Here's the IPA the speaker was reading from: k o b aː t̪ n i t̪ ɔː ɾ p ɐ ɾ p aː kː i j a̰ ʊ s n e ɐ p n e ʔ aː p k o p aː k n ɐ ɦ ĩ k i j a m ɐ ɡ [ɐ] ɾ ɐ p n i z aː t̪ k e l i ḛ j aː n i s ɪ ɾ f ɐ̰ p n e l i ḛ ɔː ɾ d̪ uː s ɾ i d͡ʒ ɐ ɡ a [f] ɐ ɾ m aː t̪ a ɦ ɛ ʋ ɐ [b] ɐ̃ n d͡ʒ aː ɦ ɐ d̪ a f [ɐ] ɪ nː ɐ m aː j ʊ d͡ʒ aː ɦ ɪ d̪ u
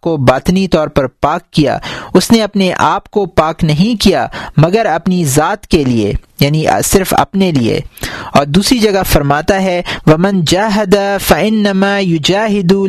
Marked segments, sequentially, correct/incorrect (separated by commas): incorrect, correct, incorrect, correct